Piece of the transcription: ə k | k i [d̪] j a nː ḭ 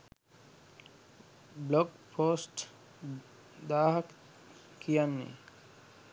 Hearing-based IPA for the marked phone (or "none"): none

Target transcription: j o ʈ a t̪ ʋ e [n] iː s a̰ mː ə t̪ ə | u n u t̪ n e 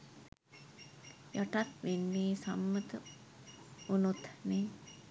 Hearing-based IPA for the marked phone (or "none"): nː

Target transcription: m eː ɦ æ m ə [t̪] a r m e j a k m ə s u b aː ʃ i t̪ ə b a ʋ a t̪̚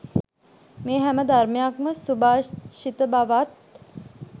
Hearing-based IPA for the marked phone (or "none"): d̪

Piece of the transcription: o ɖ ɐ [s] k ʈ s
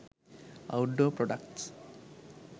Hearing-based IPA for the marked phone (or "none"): none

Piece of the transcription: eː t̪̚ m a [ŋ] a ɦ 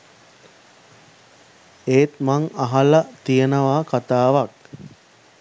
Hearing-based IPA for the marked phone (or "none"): ŋ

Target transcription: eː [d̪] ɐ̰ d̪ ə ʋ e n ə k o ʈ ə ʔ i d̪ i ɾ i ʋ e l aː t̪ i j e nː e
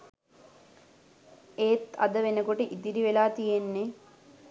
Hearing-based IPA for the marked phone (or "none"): t̪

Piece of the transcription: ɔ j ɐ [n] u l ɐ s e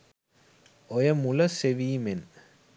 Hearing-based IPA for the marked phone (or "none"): m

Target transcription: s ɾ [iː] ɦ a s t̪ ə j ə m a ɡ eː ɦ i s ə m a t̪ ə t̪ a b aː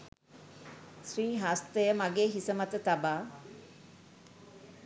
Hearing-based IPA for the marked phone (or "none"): iː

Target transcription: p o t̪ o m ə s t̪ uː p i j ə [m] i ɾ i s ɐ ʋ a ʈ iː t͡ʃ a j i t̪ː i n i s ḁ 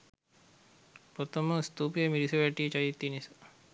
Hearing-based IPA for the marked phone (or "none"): m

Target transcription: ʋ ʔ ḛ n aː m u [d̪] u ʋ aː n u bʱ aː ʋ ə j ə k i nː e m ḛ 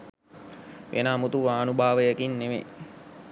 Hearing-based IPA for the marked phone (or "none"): t̪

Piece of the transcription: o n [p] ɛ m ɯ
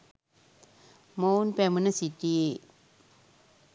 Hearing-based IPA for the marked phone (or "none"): p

